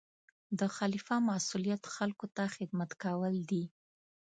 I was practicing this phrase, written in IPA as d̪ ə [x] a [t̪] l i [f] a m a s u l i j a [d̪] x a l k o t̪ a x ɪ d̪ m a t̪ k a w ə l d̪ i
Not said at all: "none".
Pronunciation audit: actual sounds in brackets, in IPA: x, none, f, t̪

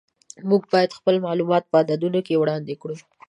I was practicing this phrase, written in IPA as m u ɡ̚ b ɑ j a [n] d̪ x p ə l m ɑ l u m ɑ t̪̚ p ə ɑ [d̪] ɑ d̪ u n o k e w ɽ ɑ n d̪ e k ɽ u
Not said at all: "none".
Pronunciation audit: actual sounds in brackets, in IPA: none, d̪

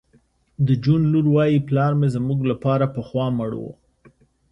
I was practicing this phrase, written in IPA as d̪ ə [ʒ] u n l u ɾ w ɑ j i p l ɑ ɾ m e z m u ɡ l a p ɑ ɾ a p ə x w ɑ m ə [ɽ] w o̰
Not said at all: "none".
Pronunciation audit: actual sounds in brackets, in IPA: d͡ʒ, ɽ

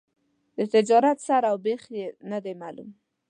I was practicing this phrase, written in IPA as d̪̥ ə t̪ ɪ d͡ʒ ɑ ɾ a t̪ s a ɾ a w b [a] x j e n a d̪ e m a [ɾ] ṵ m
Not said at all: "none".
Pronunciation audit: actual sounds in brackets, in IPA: e, l

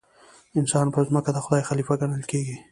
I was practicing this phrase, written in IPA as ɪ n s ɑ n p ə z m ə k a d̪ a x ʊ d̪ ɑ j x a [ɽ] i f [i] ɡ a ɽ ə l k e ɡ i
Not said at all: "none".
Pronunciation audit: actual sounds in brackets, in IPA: l, a

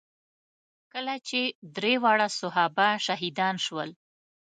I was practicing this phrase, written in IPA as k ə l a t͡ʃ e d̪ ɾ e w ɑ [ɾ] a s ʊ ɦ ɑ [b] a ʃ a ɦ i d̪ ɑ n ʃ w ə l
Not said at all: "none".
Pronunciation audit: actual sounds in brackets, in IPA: ɽ, b

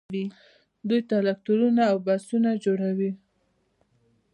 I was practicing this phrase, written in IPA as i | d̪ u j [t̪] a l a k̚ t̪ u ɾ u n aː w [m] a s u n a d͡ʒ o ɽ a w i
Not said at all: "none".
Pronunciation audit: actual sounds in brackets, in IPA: t̪, b

